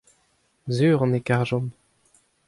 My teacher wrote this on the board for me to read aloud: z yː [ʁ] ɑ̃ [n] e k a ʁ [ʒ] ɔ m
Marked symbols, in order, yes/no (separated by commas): yes, yes, yes